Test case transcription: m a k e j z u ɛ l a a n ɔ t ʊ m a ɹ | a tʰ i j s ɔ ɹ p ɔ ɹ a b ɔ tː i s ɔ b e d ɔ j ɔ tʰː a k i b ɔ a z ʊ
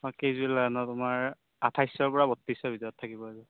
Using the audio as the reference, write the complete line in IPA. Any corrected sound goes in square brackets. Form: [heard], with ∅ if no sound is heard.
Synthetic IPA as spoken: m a k e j z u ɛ l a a n ɔ t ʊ m a ɹ | a tʰ [a] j s ɔ ɹ p ɔ ɹ a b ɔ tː i s ɔ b [i] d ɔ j ɔ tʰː a k i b ɔ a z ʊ